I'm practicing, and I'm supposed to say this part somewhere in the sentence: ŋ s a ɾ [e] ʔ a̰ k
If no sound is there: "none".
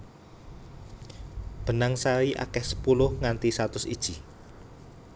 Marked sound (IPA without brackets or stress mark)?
i